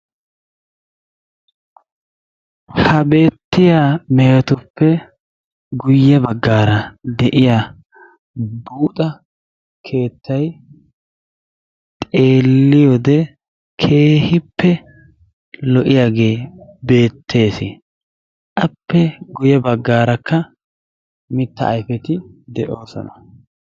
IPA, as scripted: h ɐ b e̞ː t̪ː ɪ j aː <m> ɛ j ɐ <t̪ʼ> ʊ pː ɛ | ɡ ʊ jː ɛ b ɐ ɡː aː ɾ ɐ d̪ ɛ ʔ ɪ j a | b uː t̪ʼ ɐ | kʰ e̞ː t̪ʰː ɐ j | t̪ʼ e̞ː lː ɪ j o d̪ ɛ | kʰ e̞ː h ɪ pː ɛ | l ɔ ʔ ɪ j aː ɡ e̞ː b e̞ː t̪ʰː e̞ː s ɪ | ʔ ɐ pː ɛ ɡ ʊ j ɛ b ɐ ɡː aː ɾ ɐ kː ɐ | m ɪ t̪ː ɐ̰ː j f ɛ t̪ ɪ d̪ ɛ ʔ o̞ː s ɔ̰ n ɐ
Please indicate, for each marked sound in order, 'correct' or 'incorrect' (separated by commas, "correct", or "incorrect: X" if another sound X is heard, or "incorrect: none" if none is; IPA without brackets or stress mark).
correct, incorrect: t̪